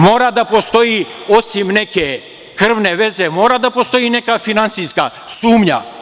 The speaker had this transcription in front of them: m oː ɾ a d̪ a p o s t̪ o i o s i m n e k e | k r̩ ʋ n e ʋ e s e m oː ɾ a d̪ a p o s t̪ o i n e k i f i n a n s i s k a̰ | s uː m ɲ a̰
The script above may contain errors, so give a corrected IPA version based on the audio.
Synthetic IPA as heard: m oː ɾ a d̪ a p o s t̪ o i o s i m n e k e | k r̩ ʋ n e ʋ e z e m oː ɾ a d̪ a p o s t̪ o i n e k a f i n a n s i s k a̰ | s uː m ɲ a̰